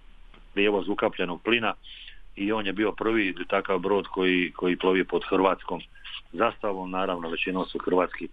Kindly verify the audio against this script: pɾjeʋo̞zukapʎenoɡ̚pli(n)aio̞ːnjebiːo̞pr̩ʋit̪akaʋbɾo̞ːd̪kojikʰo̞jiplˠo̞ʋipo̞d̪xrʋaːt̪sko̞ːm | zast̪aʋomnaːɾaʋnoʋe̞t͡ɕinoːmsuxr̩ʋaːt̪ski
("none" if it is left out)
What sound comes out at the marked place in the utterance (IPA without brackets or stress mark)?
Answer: n